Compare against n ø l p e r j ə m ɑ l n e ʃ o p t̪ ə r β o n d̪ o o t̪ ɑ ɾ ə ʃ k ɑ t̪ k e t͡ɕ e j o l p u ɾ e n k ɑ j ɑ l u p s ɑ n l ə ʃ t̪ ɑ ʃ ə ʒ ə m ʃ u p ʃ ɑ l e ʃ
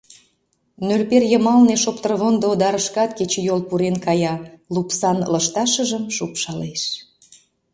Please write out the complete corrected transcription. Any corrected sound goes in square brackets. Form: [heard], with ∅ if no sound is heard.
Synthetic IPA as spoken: n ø l p e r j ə m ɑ l n e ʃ o p t̪ ə r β o n d̪ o o [d̪] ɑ ɾ ə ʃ k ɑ t̪ k e t͡ɕ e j o l p u ɾ e n k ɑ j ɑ l u p s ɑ n l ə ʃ t̪ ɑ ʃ ə ʒ ə m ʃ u p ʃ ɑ l e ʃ